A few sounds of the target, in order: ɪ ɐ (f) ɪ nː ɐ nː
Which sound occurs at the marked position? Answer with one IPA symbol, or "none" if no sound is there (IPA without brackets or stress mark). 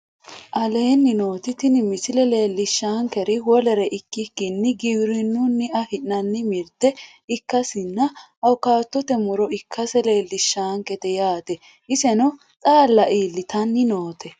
h